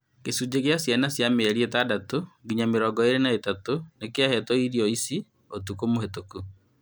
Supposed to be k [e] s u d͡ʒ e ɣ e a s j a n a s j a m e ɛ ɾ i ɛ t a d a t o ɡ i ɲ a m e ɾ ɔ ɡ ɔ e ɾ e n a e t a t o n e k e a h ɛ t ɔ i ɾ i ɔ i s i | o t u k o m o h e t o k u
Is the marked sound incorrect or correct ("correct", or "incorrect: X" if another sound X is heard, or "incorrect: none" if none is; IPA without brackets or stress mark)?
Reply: correct